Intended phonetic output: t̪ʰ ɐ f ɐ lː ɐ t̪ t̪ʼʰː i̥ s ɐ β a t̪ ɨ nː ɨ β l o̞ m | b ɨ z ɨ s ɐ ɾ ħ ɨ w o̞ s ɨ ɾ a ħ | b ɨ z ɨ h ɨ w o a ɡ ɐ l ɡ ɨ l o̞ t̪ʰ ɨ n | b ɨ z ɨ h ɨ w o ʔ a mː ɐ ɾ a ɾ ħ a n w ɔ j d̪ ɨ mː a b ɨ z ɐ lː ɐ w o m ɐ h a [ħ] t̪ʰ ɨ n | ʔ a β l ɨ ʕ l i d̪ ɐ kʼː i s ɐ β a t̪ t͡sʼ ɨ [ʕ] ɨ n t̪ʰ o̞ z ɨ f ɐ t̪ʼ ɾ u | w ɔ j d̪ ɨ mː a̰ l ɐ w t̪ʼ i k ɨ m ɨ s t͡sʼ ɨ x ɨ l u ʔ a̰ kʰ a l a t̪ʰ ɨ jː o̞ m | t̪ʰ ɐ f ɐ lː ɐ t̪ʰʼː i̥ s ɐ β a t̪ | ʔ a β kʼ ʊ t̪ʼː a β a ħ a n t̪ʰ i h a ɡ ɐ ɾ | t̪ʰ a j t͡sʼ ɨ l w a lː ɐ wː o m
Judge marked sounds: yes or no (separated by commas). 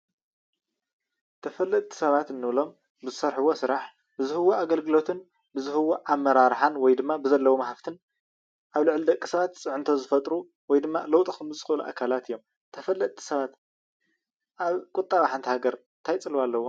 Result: no, yes